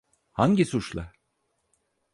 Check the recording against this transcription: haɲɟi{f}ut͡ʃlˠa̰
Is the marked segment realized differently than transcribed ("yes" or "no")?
yes